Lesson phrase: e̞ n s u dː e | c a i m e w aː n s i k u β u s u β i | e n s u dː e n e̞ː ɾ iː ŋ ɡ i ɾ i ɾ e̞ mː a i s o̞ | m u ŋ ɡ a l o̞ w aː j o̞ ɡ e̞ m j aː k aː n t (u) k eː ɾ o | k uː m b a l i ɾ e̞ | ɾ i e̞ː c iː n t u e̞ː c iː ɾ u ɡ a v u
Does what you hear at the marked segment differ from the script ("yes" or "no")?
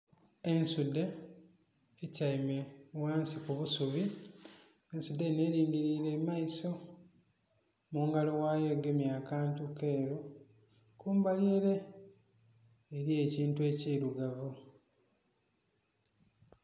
no